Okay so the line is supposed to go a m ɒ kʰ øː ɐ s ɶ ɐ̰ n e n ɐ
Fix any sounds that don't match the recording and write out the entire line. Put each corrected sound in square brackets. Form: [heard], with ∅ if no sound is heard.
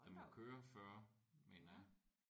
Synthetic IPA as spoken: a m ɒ kʰ øː ɐ [f] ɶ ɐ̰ [m] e n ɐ